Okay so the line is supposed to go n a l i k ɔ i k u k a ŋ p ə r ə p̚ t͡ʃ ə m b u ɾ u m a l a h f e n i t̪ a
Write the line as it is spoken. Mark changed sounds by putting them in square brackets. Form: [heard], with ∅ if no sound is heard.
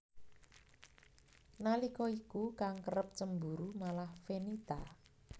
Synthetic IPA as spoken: n a l i k ɔ i k u k a ŋ [k] ə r ə p̚ t͡ʃ ə m b u ɾ u m a l a h f e n i t̪ a